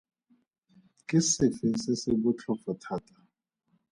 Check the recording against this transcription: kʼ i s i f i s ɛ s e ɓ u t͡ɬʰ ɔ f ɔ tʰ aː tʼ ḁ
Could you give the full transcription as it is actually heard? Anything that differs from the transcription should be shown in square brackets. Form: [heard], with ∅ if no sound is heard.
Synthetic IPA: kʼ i s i f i s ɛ s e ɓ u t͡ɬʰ ɔ f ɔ tʰ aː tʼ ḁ